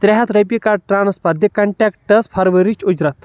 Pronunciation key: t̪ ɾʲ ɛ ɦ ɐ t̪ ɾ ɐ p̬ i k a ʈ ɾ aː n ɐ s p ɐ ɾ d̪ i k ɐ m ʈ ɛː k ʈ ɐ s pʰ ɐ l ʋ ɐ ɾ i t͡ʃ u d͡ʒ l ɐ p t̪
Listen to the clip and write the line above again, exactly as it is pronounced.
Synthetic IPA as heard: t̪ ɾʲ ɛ ɦ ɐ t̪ ɾ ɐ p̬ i k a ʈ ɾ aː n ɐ s p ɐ ɾ d̪ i k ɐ ɳ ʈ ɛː k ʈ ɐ s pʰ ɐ ɾ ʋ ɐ ɾ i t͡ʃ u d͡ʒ ɾ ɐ t̪